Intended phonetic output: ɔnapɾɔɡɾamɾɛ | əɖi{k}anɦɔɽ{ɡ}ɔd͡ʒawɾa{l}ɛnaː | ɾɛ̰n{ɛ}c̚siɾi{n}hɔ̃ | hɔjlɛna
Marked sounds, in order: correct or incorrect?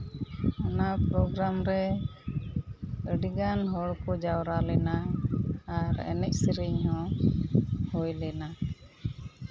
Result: incorrect, incorrect, correct, correct, incorrect

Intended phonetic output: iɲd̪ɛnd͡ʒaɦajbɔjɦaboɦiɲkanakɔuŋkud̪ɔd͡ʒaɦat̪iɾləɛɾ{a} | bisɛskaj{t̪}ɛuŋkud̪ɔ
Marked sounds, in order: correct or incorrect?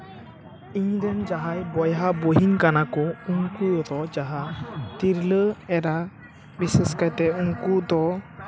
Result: correct, correct

